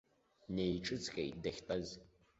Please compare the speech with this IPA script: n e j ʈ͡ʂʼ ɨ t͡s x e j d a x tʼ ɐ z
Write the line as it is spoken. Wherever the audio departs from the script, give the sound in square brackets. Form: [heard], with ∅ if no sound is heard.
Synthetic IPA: n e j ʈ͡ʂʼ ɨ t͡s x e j d [ɐ] x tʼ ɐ z